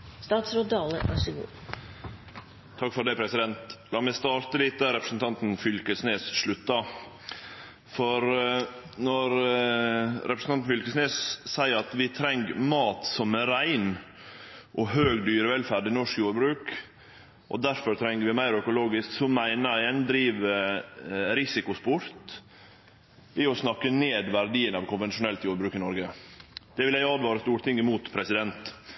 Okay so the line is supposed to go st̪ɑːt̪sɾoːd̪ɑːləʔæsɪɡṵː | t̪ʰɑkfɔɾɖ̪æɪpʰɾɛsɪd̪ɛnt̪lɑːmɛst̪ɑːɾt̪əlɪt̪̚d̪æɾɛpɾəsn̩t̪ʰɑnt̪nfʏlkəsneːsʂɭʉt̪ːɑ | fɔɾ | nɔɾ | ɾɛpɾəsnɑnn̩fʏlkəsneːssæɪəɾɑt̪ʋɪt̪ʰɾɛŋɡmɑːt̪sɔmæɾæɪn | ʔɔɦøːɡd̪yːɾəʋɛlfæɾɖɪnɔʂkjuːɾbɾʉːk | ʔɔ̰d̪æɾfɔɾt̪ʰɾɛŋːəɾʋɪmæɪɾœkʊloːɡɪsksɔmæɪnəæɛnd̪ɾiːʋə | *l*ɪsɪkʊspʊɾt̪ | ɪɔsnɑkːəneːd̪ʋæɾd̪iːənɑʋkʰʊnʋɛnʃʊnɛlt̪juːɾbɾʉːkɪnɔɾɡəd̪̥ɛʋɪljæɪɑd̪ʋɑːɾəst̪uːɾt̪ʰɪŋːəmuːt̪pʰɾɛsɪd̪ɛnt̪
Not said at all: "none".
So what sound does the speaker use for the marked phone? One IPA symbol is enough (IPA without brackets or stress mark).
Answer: ɾ